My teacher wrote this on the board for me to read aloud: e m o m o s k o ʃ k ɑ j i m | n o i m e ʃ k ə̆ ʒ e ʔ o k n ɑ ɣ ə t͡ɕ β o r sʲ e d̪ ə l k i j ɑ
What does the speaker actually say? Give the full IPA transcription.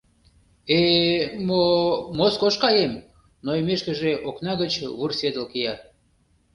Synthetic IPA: e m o m o s k o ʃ k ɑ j e m | n o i m e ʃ k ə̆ ʒ e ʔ o k n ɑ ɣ ə t͡ɕ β u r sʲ e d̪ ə l k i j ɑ